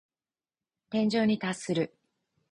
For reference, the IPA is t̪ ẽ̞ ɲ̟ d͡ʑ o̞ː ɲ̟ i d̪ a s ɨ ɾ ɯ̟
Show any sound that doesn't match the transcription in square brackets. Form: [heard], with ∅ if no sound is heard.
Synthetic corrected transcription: t̪ ẽ̞ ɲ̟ d͡ʑ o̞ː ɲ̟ i [t̪] a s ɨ ɾ ɯ̟